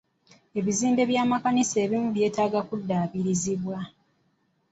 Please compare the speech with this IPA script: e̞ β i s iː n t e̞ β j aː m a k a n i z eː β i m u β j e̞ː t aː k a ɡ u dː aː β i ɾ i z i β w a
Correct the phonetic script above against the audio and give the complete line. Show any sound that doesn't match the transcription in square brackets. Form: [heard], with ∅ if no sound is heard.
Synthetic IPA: e̞ β i [z] iː n [d] e̞ β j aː m a k a n i [s] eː β i m u β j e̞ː t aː [ɡ] a [k] u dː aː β i ɾ i z i β w a